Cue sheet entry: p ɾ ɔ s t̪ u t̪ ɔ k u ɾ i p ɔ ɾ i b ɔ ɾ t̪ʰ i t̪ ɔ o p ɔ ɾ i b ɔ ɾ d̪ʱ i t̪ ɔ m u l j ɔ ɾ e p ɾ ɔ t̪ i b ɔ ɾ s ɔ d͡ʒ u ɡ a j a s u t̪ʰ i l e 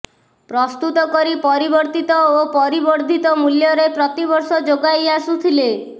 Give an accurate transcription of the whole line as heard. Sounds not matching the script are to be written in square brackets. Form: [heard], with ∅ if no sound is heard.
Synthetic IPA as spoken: p ɾ ɔ s t̪ u t̪ ɔ k [ɔ] ɾ i p ɔ ɾ i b ɔ ɾ [t̪] i t̪ ɔ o p ɔ ɾ i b ɔ ɾ d̪ʱ i t̪ ɔ m u l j ɔ ɾ e p ɾ ɔ t̪ i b ɔ ɾ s ɔ d͡ʒ [o] ɡ a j a s u t̪ʰ i l e